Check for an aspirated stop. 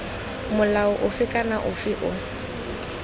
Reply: absent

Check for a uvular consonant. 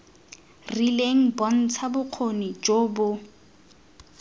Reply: present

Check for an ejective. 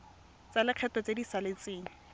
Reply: absent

